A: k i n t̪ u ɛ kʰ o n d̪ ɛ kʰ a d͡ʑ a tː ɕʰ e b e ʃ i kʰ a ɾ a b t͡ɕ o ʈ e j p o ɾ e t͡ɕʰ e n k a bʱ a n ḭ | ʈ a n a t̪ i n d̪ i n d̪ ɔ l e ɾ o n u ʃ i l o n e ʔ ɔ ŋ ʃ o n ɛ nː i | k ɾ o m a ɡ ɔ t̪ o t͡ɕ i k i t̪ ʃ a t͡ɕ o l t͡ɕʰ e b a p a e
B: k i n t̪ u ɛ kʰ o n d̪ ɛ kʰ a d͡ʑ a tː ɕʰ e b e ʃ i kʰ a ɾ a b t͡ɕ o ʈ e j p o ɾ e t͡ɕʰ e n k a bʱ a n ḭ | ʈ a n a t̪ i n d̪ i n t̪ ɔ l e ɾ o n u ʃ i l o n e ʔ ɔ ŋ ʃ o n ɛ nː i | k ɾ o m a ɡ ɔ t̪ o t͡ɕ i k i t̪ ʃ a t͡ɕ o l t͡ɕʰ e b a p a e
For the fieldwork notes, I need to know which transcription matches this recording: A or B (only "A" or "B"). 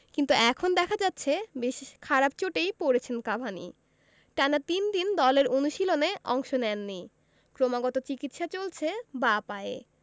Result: A